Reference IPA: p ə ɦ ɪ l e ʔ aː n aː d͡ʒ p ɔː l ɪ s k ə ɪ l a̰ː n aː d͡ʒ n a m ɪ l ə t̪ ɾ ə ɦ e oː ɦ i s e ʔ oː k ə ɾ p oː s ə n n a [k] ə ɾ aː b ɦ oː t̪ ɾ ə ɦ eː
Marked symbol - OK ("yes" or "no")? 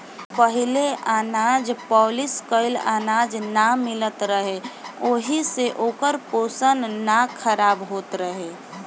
no